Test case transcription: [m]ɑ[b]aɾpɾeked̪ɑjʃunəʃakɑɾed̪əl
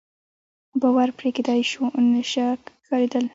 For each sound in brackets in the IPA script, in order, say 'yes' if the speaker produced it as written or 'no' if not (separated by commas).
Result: no, no